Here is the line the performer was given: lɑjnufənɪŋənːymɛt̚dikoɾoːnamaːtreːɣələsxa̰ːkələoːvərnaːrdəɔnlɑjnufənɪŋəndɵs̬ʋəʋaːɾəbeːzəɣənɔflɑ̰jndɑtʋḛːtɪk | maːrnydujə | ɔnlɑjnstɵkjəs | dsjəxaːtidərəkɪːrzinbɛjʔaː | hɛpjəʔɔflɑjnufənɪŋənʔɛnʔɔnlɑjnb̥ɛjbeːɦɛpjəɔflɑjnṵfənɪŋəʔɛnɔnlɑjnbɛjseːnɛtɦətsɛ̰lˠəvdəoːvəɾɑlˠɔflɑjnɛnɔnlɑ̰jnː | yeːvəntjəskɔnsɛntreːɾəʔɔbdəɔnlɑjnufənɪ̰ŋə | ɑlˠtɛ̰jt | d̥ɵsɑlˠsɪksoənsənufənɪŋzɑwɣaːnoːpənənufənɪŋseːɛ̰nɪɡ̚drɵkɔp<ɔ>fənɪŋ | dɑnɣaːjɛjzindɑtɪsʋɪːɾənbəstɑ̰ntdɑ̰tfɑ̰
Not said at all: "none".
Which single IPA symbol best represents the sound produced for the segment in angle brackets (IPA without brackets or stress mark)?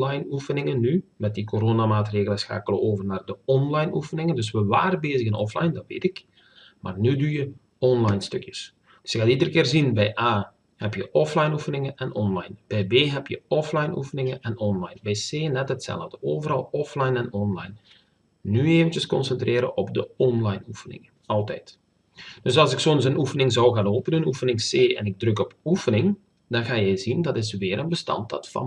u